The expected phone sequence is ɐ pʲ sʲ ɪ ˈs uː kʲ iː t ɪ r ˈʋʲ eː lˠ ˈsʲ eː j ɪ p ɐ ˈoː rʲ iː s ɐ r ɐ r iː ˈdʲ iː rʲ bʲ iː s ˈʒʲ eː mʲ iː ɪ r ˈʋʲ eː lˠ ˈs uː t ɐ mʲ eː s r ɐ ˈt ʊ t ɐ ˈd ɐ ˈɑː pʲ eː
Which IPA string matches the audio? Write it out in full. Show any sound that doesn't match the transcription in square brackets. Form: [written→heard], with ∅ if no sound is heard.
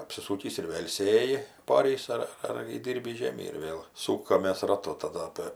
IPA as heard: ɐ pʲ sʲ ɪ ˈs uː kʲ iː [t→s] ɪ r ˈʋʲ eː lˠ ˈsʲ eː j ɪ p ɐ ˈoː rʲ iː s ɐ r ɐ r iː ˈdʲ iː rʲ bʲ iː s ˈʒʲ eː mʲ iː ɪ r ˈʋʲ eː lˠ ˈs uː [t→k] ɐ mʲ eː s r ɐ ˈt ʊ t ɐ ˈd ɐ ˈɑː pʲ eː